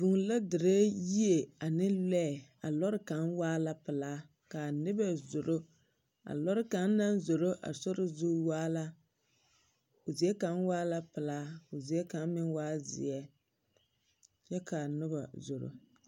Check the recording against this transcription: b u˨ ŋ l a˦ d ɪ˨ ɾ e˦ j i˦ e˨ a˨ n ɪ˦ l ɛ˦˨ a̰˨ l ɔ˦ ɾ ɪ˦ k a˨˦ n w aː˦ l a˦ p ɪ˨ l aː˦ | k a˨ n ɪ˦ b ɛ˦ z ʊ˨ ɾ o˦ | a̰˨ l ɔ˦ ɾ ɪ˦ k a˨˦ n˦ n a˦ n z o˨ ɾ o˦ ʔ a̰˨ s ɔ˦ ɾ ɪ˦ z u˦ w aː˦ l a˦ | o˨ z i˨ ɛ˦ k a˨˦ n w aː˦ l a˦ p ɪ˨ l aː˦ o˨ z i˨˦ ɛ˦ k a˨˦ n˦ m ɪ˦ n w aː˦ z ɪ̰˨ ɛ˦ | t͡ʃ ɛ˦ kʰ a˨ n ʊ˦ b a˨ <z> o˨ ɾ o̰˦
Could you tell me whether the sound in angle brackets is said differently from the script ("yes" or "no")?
no